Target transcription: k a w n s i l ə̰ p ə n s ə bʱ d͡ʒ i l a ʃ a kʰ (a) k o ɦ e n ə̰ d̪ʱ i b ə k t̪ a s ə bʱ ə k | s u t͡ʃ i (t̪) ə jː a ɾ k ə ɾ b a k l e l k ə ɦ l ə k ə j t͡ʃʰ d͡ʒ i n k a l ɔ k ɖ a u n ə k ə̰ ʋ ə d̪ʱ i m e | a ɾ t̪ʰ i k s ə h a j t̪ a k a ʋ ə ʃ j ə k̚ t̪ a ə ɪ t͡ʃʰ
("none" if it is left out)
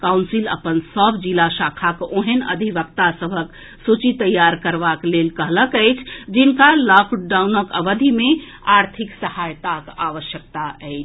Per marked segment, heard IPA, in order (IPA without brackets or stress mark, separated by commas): a, t̪